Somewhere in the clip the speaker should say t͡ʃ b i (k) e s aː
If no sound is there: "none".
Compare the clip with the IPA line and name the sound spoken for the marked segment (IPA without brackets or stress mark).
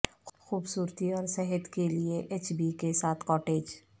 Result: k